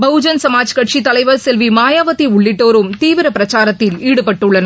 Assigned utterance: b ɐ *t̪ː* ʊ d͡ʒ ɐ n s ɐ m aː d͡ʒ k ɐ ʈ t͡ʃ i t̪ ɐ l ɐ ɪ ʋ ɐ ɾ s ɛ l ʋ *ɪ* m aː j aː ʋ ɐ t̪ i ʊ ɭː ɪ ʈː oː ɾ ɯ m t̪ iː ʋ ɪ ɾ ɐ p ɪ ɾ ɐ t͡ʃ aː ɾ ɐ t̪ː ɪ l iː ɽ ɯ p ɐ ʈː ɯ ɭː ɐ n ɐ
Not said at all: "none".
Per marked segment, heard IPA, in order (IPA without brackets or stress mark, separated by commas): none, i